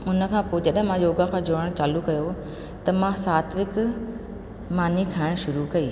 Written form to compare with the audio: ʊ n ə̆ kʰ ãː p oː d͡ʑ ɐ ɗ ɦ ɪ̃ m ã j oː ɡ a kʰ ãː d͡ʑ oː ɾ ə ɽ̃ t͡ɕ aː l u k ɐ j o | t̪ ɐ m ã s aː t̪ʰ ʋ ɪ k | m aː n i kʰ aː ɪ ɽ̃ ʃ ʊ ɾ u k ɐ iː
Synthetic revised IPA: ʊ n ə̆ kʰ ãː p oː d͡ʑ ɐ ɗ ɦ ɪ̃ m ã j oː ɡ a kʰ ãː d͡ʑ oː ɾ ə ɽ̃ t͡ɕ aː l u k ɐ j o | t̪ ɐ m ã s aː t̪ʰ ʋ ɪ k | m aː n i kʰ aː ɪ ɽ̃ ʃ ʊ ɾ u k ɐ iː